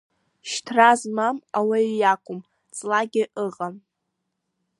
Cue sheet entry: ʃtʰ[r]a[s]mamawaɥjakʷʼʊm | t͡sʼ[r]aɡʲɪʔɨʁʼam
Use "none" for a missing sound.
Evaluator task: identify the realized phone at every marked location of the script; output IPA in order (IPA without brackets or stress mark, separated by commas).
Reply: r, z, l